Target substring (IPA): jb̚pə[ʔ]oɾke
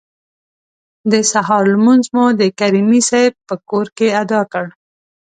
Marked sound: incorrect: k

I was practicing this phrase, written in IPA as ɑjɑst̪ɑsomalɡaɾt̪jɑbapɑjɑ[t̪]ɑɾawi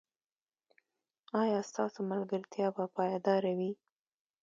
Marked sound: incorrect: d̪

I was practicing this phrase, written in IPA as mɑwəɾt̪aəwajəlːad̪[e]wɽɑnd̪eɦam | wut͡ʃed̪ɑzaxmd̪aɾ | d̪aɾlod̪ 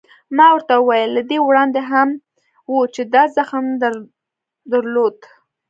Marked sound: correct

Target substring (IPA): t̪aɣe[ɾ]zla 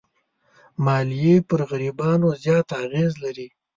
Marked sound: incorrect: none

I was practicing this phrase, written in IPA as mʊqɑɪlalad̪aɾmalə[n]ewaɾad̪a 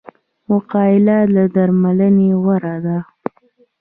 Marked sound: correct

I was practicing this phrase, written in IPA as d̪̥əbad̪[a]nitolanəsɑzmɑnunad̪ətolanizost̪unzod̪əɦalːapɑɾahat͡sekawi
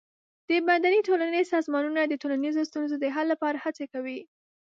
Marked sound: correct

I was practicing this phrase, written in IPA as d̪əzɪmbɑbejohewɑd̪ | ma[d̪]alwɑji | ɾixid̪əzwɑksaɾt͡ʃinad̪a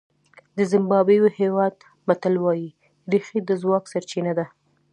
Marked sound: incorrect: t̪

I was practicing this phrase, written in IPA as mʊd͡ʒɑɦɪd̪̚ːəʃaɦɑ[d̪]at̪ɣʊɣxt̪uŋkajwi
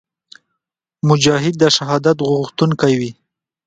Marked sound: correct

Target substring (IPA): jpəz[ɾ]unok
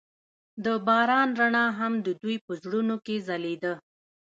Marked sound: incorrect: ɽ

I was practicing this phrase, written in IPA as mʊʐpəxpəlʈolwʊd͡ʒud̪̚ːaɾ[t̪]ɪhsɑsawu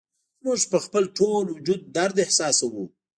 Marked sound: incorrect: d̪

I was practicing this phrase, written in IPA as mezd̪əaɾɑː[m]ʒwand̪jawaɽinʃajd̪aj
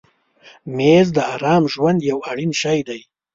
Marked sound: correct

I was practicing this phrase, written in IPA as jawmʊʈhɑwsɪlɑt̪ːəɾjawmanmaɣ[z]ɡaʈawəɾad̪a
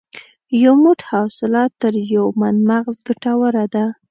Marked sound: correct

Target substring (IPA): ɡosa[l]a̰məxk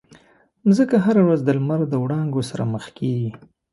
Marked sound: incorrect: ɾ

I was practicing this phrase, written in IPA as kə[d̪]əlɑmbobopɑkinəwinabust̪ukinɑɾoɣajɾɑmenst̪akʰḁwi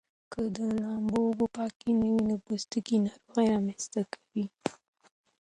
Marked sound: correct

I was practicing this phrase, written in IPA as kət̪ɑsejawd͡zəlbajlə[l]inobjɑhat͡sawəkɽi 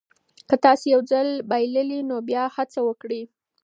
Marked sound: correct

